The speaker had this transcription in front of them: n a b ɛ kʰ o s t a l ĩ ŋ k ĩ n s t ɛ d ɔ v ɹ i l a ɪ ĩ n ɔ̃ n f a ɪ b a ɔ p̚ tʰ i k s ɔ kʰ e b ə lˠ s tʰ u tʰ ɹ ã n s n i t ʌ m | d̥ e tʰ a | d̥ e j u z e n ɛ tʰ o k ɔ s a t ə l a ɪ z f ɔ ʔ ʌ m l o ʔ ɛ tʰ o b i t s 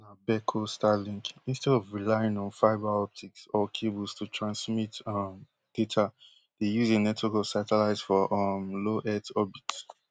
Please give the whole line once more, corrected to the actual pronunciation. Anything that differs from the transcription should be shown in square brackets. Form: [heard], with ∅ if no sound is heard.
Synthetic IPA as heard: n a b ɛ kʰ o s t a l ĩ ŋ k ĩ n s t ɛ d ɔ v ɹ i l a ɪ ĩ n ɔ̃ n f a ɪ b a ɔ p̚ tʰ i k s ɔ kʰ e b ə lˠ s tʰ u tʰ ɹ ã n s [m] i t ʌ m | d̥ e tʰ a | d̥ e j u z e n ɛ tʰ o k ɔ s a t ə l a ɪ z f ɔ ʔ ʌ m l o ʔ ɛ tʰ [ɔ] b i t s